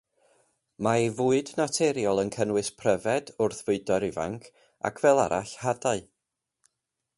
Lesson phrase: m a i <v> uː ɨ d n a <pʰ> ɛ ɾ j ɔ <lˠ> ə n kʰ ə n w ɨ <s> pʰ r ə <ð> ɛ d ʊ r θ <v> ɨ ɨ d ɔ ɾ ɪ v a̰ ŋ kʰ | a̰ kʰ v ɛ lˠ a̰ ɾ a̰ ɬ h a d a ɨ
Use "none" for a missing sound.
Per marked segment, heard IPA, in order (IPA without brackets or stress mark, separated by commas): v, tʰ, lˠ, s, v, v